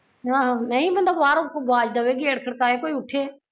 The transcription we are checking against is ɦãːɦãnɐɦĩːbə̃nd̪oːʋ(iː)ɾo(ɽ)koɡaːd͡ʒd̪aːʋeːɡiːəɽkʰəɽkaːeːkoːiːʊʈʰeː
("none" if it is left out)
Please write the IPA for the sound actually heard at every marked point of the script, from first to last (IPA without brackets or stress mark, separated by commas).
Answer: aː, none